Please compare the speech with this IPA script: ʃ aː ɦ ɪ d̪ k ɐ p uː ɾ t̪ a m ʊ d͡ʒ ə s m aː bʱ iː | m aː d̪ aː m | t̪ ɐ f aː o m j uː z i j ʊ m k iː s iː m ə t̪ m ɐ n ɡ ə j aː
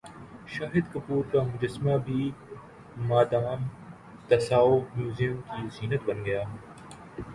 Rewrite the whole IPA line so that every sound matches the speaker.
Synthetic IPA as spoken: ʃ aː ɦ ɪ d̪ k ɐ p uː ɾ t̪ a m ʊ d͡ʒ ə s m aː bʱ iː | m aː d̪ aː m | t̪ ɐ s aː o m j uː z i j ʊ m k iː z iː n ə t̪ b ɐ n ɡ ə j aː

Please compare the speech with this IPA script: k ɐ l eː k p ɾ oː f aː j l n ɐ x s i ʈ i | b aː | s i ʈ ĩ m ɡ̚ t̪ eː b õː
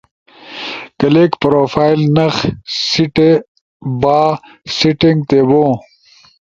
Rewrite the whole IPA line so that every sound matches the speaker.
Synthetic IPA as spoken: k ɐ l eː k p ɾ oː f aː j l n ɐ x s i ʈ e | b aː | s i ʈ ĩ ŋ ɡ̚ t̪ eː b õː

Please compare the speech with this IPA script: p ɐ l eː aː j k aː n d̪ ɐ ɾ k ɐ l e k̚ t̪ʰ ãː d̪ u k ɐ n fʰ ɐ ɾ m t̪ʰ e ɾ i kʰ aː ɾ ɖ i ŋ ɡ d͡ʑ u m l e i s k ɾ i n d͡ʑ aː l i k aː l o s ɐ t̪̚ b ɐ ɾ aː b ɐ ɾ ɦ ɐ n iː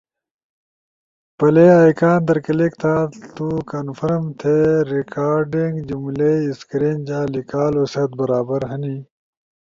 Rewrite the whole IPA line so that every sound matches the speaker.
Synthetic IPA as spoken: p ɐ l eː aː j k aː n d̪ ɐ ɾ k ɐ l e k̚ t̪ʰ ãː t̪ u k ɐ n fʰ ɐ ɾ m t̪ʰ e ɾ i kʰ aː ɾ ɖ i ŋ ɡ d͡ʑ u m l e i s k ɾ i n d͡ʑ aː l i k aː l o s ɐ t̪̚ b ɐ ɾ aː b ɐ ɾ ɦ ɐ n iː

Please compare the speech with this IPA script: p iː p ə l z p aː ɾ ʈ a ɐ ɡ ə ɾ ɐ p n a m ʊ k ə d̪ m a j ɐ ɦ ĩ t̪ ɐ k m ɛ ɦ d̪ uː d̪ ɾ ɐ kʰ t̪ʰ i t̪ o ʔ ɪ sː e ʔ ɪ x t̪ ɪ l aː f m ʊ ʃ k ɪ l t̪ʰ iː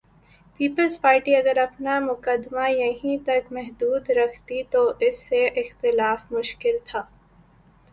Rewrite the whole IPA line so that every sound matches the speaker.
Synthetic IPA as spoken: p iː p ə l z p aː ɾ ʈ i ɐ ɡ ə ɾ ɐ p n a m ʊ k ə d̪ m a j ɐ ɦ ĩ t̪ ɐ k m ɛ ɦ d̪ uː d̪ ɾ ɐ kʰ t̪ i t̪ o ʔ ɪ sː e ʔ ɪ x t̪ ɪ l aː f m ʊ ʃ k ɪ l t̪ʰ aː

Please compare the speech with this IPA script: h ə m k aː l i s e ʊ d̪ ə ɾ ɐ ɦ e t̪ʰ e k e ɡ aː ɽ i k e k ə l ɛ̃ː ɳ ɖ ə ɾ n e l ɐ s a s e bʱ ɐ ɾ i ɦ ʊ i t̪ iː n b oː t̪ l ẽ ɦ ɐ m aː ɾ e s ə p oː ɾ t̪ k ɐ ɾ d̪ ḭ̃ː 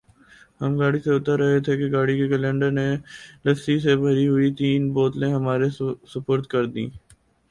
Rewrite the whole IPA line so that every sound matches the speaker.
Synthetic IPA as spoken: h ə m ɡ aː ɽ i s e ʊ t̪ ə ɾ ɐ ɦ e t̪ʰ e k e ɡ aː ɽ i k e k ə l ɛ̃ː ɳ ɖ ə ɾ n e l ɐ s i s e bʱ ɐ ɾ i ɦ ʊ i t̪ iː n b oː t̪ l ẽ ɦ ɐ m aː ɾ e s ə p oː ɾ t̪ k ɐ ɾ d̪ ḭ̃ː

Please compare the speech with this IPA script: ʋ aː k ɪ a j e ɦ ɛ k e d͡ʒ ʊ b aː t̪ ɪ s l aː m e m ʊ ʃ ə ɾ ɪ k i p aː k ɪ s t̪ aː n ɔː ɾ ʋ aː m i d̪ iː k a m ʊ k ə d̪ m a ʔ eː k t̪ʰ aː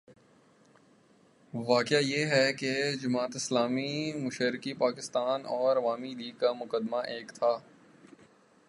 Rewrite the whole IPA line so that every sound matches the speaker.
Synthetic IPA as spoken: ʋ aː k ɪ a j e ɦ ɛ k e d͡ʒ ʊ m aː t̪ ɪ s l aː m i m ʊ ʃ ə ɾ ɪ k i p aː k ɪ s t̪ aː n ɔː ɾ ʋ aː m i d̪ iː k a m ʊ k ə d̪ m a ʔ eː k t̪ʰ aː

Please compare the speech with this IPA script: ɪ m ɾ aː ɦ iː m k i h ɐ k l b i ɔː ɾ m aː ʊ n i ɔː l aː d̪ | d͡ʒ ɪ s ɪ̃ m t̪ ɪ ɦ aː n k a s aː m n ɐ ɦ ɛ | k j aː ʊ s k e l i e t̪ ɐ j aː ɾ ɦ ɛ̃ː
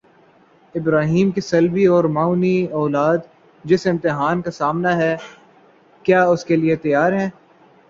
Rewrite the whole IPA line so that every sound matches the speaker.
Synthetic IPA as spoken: ɪ b ɾ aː ɦ iː m k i s ɐ l b i ɔː ɾ m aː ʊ n i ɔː l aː d̪ | d͡ʒ ɪ s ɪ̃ m t̪ ɪ ɦ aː n k a s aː m n a ɦ ɛ | k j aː ʊ s k e l i e t̪ ɐ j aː ɾ ɦ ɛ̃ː

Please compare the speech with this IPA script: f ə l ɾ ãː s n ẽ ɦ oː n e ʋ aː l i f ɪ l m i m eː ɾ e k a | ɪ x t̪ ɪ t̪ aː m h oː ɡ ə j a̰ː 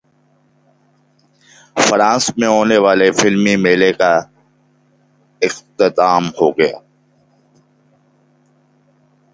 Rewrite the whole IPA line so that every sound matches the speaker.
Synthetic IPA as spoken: f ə ɾ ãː s m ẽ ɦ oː n e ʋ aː l e f ɪ l m i m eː l e k a | ɪ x t̪ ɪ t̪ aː m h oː ɡ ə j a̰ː

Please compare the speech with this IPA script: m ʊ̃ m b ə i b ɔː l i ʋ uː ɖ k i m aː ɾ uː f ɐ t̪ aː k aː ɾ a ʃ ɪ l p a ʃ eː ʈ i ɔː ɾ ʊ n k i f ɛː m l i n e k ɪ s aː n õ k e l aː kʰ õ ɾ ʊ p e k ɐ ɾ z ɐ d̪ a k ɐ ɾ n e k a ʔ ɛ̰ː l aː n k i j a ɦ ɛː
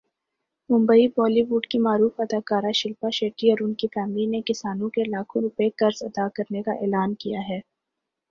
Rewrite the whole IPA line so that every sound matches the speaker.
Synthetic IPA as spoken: m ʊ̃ m b ə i b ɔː l i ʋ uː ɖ k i m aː ɾ uː f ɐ d̪ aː k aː ɾ a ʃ ɪ l p a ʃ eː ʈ i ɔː ɾ ʊ n k i f ɛː m l i n e k ɪ s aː n õ k e l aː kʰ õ ɾ ʊ p e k ɐ ɾ z ɐ d̪ a k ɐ ɾ n e k a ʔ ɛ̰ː l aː n k i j a ɦ ɛː

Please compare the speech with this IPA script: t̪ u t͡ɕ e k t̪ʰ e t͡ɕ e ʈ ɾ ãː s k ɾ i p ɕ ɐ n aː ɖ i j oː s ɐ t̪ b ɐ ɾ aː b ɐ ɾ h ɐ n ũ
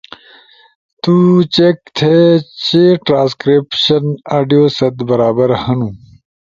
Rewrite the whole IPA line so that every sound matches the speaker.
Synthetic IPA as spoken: t̪ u t͡ɕ e k t̪ʰ e t͡ɕ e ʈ ɾ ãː s k ɾ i p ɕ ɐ n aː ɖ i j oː s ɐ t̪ b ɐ ɾ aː b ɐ ɾ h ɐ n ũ

